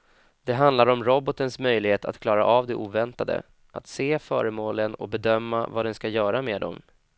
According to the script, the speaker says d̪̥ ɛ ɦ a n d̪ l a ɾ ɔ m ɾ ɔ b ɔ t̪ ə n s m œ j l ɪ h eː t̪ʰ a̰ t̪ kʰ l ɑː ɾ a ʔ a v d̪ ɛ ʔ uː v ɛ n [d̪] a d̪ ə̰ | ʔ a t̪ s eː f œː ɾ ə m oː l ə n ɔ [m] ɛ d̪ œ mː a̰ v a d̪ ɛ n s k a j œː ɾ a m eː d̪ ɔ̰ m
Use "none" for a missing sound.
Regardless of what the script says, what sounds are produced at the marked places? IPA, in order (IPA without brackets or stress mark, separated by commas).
t̪, b